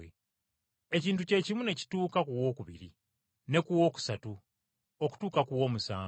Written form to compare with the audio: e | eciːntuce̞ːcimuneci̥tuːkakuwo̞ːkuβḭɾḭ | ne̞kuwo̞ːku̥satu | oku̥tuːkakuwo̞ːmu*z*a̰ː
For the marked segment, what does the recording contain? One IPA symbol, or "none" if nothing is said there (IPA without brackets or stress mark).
s